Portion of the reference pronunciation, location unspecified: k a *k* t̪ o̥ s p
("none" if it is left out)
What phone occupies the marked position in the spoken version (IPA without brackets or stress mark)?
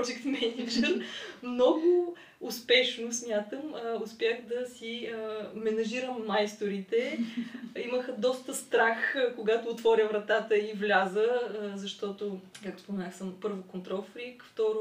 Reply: k